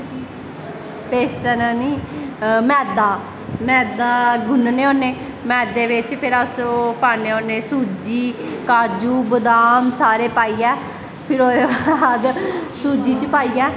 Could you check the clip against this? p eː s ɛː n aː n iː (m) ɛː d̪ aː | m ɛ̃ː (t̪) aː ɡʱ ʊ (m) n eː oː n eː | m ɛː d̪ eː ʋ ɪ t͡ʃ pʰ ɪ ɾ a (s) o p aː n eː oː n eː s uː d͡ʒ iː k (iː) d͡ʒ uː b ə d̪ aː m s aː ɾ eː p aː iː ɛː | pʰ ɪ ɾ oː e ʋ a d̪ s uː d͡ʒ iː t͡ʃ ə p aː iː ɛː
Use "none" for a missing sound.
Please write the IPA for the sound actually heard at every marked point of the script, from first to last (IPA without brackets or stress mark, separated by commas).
m, d̪, n, s, aː